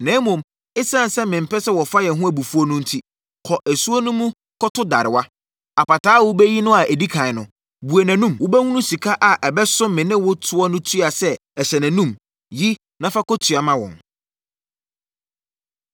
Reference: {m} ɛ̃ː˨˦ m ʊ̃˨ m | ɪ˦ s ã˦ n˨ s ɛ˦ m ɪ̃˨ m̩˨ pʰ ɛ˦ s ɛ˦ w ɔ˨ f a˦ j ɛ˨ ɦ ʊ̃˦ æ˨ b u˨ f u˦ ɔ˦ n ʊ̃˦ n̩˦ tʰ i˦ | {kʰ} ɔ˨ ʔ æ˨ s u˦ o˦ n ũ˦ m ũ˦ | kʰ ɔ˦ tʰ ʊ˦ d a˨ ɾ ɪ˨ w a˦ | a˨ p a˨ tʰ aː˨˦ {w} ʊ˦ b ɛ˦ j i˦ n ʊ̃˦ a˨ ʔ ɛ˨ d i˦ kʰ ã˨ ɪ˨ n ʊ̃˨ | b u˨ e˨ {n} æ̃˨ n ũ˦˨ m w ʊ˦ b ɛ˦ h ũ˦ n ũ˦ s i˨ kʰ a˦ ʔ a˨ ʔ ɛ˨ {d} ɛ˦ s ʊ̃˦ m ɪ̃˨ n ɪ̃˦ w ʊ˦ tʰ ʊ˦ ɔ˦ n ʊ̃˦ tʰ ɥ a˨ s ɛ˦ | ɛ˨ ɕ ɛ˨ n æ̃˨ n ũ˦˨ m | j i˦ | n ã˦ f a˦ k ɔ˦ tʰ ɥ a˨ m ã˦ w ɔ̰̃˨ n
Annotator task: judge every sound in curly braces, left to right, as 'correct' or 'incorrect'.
incorrect: n, correct, correct, correct, incorrect: b

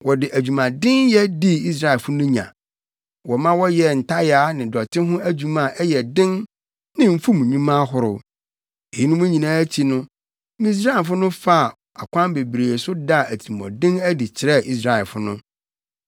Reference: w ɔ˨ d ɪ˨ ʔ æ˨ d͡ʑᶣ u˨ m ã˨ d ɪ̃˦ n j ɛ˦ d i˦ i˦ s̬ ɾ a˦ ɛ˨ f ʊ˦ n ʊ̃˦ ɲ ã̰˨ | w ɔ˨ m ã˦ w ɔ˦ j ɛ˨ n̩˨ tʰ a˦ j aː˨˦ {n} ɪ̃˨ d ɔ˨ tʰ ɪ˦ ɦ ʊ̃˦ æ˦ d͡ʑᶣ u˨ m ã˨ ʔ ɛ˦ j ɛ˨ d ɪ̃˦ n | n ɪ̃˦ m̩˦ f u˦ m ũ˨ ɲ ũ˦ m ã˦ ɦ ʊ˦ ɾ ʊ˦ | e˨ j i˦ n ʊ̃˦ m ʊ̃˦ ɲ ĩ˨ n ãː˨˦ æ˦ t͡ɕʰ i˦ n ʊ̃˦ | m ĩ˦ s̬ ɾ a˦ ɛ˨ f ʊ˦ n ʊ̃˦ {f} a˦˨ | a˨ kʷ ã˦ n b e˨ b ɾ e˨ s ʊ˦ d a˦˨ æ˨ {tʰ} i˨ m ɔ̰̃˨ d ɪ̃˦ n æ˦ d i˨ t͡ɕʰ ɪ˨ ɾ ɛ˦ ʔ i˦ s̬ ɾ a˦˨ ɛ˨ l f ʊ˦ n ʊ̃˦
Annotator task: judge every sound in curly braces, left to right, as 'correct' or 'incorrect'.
correct, correct, correct

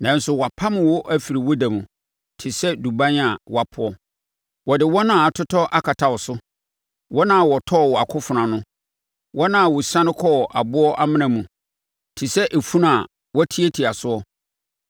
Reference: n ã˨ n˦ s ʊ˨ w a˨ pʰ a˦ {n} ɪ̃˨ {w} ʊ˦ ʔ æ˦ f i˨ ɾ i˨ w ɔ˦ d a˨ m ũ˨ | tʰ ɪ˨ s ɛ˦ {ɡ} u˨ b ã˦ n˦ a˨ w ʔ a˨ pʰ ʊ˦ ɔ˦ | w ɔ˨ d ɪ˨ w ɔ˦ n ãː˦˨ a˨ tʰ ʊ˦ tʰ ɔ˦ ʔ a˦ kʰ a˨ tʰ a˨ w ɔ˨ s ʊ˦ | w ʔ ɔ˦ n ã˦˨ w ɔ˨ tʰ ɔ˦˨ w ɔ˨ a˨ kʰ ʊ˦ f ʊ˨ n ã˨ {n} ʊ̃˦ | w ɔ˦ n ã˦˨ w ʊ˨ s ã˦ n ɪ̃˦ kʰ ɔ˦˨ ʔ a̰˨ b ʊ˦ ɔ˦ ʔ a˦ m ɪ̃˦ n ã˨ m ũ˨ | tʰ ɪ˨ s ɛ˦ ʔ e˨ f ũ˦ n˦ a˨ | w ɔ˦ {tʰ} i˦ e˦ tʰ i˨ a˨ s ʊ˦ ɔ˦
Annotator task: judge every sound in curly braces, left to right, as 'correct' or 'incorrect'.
incorrect: m, correct, incorrect: d, correct, correct

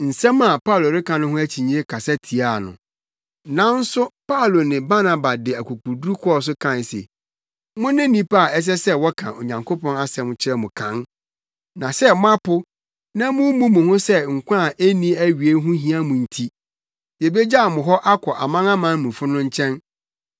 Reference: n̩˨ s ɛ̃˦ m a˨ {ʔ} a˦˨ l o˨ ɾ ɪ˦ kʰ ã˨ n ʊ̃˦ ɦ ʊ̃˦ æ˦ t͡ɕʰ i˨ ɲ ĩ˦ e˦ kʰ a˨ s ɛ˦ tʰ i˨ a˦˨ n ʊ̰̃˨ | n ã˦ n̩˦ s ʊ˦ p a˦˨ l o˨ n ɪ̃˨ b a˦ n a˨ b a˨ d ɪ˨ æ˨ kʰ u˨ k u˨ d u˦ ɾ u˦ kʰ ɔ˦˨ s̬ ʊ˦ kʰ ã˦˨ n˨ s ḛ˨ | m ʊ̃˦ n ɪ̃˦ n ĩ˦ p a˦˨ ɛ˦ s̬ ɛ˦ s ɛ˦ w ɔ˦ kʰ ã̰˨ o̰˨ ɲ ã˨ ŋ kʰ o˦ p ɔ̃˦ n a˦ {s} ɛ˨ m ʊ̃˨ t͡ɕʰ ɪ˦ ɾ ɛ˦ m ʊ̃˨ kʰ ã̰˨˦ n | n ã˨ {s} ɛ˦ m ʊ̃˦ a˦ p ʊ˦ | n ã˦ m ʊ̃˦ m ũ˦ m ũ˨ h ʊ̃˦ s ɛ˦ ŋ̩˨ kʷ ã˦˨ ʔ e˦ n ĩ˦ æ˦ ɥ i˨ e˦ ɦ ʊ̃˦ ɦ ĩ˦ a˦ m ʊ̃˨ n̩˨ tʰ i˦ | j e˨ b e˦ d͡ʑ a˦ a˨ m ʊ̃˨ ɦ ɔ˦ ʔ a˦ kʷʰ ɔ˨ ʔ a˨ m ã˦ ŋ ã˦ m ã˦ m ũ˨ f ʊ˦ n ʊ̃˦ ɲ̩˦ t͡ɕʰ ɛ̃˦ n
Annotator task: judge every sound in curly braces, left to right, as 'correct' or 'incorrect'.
incorrect: p, correct, correct

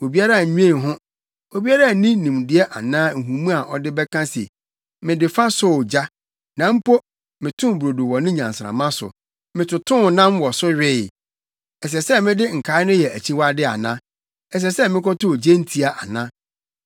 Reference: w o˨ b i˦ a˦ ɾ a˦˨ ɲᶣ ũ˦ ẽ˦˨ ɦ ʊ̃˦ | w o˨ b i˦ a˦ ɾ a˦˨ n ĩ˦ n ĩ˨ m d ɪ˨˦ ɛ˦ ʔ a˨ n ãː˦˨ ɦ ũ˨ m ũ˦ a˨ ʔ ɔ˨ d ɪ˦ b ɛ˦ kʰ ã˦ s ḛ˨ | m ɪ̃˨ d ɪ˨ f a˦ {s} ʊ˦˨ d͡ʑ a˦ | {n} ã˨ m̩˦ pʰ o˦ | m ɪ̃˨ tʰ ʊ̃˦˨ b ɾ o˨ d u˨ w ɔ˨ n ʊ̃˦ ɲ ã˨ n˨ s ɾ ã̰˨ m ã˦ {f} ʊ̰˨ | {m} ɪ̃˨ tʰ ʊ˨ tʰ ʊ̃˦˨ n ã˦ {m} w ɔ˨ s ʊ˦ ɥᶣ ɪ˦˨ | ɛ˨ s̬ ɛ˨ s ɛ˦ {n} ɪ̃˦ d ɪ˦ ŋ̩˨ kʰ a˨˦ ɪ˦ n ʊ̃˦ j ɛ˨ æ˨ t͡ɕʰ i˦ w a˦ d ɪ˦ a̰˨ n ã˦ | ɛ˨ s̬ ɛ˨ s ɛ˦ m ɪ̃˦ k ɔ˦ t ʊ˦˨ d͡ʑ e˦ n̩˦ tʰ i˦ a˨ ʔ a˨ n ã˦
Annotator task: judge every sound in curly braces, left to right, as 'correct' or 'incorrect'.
correct, correct, incorrect: s, correct, correct, incorrect: m

